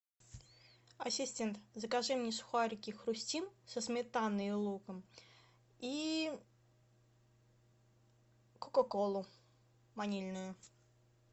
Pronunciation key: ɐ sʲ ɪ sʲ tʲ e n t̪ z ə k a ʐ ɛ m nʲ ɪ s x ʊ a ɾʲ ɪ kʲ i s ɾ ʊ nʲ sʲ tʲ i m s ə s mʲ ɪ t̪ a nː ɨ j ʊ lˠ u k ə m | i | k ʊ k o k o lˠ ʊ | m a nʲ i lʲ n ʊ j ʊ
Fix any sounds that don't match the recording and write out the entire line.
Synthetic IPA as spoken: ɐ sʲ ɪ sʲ tʲ e n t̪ z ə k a ʐ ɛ m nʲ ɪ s x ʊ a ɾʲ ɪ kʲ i x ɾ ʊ sʲ tʲ i m s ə s mʲ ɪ t̪ a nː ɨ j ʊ lˠ u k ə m | i | k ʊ k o k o lˠ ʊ | m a nʲ i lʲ n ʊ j ʊ